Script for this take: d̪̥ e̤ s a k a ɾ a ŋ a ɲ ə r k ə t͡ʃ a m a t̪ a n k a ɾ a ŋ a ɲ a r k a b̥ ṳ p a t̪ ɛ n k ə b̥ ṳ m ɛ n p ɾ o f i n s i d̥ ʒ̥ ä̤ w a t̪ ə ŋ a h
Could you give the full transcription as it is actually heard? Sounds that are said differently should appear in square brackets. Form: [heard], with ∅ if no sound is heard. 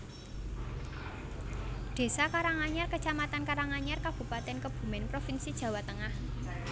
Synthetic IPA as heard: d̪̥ e̤ s a k a ɾ a ŋ a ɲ [a] r k ə t͡ʃ a m a t̪ a n k a ɾ a ŋ a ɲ a r k a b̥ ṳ p a t̪ ɛ n k ə b̥ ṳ m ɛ n p ɾ o f i n s i d̥ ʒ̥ ä̤ w a t̪ ə ŋ a h